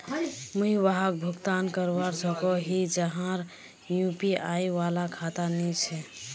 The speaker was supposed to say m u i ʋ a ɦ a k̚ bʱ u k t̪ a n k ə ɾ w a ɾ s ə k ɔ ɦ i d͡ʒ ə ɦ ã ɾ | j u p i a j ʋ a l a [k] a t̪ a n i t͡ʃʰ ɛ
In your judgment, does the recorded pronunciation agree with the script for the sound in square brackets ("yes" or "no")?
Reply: no